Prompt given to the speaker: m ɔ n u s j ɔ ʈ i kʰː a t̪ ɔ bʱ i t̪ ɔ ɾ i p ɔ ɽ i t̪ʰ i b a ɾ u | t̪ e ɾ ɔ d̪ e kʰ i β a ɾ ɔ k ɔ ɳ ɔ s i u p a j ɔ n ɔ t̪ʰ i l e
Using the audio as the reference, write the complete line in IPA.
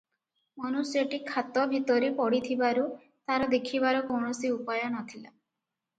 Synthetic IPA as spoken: m ɔ n u s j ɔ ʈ i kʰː a t̪ ɔ bʱ i t̪ ɔ ɾ i p ɔ ɽ i t̪ʰ i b a ɾ u | t̪ a ɾ ɔ d̪ e kʰ i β a ɾ ɔ k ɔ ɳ ɔ s i u p a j ɔ n ɔ t̪ʰ i l a